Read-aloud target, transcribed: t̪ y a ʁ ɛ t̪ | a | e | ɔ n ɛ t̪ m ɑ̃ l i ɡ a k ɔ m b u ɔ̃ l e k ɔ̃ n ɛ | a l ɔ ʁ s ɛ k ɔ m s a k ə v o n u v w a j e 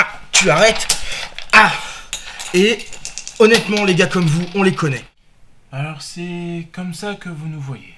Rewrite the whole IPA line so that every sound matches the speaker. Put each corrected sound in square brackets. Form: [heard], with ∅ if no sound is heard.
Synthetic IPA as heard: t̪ y a ʁ ɛ t̪ | a | e | ɔ n ɛ t̪ m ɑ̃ l [e] ɡ a k ɔ m [v] u ɔ̃ l e k [ɔ] n ɛ | a l ɔ ʁ s ɛ k ɔ m s a k ə v [u] n u v w a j e